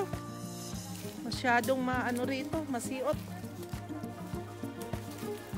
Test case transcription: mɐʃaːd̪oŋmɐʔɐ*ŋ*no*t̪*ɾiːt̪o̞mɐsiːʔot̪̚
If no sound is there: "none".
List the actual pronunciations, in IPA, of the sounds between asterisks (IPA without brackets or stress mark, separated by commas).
none, none